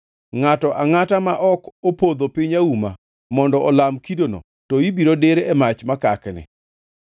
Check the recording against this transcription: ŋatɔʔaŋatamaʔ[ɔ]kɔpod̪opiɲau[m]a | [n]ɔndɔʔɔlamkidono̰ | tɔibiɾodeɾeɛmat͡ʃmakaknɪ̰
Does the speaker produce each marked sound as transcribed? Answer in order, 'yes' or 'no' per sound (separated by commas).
yes, yes, no